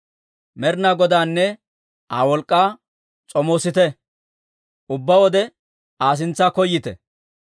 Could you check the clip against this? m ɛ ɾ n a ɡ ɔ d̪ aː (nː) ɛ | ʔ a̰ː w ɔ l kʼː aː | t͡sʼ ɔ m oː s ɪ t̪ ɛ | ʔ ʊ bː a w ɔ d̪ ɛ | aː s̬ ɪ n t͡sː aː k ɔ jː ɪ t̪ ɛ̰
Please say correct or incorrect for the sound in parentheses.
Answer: correct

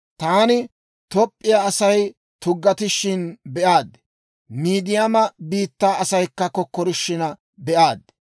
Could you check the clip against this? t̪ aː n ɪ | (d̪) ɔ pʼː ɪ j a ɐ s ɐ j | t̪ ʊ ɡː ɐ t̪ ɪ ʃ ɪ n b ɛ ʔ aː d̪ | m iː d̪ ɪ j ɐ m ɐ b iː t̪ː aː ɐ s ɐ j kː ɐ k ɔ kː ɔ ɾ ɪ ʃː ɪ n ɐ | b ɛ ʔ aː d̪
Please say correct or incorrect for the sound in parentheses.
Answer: incorrect: t̪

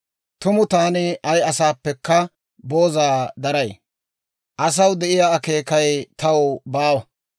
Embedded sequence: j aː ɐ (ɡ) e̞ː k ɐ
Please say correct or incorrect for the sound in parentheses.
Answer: incorrect: k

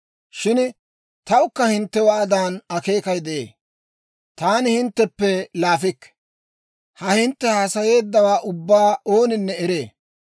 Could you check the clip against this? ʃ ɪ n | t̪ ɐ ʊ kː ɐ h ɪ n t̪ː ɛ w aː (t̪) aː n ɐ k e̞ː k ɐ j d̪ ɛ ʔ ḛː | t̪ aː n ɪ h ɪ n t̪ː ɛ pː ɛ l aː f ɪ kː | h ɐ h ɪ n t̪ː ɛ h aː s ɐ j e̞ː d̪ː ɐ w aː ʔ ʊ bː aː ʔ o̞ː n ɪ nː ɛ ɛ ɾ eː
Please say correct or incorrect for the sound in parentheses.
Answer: incorrect: d̪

